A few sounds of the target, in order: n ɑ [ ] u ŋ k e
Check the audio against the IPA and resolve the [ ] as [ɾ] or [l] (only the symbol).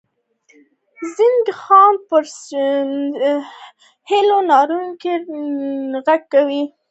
ɾ